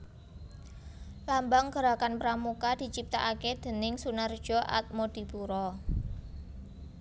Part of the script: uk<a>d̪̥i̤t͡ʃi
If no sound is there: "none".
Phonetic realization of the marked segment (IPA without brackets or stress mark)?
a